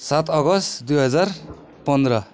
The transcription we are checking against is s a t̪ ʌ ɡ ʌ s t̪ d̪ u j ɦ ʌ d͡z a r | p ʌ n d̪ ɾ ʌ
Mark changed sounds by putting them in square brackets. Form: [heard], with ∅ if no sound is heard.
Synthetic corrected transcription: s a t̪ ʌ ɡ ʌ s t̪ d̪ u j ɦ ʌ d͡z a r | p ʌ n d̪ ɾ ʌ